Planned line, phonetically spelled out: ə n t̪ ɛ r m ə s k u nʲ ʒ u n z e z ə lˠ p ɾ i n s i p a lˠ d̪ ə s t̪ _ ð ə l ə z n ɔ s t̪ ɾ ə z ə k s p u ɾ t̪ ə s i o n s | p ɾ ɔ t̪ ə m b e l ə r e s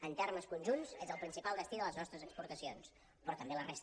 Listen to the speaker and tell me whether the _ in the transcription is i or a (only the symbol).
i